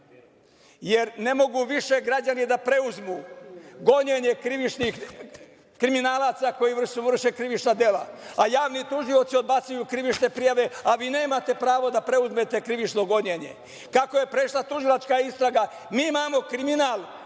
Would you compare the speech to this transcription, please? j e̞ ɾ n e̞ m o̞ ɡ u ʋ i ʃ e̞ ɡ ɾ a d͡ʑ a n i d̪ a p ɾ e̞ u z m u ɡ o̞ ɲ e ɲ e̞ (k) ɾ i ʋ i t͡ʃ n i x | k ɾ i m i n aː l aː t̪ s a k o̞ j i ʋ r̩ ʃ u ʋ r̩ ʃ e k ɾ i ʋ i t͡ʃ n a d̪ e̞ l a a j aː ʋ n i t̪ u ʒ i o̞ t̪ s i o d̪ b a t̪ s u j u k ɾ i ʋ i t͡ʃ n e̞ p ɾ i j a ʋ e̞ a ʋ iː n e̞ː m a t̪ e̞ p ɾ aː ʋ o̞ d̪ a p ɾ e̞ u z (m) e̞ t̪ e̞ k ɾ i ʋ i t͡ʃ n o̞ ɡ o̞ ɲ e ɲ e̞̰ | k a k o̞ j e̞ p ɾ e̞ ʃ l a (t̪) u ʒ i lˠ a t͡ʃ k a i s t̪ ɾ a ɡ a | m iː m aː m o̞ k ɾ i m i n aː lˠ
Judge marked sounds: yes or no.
yes, yes, yes

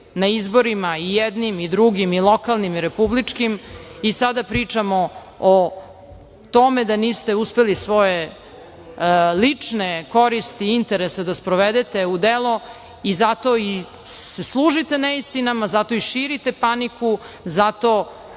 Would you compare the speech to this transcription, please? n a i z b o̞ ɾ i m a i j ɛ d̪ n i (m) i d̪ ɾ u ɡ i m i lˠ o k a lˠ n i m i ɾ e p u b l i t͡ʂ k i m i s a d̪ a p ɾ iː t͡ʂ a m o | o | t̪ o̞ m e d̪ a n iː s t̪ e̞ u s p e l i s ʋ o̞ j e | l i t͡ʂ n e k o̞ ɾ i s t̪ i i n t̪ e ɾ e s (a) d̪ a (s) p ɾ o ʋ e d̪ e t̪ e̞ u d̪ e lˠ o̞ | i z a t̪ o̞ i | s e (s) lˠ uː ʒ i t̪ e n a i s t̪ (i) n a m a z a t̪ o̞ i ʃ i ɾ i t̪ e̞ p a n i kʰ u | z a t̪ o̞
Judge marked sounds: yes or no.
yes, no, yes, yes, yes

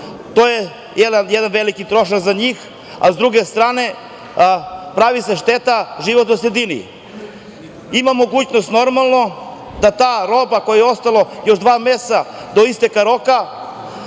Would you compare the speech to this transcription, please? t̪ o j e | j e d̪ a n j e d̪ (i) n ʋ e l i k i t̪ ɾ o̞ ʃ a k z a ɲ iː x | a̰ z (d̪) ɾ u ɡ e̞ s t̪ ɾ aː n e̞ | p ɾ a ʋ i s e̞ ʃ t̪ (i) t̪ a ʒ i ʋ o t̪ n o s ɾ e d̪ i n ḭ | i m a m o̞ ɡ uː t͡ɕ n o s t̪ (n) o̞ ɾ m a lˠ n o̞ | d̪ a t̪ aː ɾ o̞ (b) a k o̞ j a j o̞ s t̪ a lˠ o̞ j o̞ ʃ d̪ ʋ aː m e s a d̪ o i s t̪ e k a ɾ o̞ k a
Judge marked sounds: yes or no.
no, yes, no, yes, yes

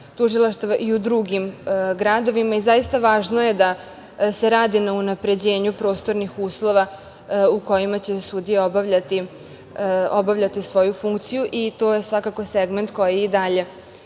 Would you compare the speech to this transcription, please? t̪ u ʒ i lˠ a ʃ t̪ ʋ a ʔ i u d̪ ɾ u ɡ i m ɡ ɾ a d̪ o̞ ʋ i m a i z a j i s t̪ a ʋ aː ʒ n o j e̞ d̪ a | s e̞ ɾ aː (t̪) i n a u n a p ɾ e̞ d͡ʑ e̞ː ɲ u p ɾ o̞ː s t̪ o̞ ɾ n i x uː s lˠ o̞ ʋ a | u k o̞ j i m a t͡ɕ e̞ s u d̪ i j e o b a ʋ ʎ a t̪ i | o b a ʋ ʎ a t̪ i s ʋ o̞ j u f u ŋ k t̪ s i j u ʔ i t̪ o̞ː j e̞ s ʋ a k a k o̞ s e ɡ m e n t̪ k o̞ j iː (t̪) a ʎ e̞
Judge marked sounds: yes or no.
no, no

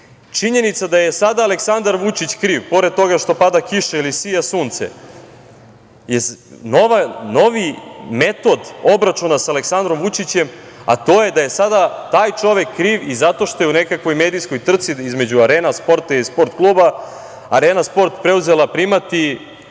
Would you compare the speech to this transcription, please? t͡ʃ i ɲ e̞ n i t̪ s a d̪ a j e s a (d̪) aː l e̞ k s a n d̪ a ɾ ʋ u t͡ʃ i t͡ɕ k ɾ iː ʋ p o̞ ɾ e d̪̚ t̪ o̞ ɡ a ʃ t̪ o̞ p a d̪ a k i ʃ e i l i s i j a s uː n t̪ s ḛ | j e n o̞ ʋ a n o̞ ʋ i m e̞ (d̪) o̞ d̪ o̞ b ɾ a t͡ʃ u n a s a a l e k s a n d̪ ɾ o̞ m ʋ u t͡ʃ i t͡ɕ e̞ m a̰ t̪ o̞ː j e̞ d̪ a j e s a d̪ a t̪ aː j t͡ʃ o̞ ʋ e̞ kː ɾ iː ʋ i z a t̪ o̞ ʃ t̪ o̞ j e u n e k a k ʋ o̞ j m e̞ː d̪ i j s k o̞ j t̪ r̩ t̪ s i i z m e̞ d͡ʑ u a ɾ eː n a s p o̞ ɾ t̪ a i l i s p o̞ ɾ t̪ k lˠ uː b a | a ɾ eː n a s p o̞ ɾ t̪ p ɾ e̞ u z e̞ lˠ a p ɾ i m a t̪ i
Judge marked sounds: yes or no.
yes, no

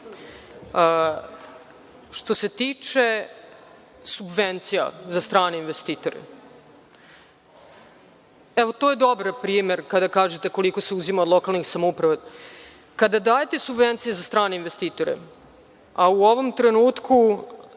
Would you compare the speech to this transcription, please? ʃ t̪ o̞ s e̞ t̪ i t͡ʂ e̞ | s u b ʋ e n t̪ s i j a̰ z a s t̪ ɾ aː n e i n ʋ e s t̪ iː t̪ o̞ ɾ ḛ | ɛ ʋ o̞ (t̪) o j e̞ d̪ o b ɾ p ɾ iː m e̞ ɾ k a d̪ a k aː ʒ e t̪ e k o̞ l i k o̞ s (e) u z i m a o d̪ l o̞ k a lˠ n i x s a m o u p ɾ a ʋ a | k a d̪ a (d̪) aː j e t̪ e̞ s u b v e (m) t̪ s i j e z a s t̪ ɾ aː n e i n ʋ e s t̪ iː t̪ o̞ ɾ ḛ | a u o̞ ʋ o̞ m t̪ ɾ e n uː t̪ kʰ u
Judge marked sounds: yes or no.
yes, yes, yes, no

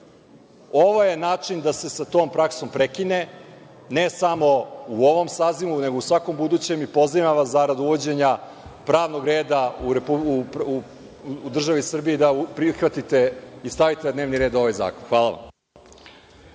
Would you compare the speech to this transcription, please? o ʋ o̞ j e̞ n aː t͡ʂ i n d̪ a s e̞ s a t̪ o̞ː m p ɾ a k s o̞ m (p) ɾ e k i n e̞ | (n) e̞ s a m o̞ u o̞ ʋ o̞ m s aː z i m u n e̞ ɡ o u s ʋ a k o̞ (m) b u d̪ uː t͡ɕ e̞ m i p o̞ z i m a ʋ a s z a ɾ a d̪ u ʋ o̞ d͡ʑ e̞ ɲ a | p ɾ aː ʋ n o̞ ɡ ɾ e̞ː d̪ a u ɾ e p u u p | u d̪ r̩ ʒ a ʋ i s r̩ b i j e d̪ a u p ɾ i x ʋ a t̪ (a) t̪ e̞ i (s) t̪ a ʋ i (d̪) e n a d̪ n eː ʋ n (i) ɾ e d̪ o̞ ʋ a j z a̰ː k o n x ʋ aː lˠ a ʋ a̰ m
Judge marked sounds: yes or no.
yes, yes, yes, no, yes, no, yes

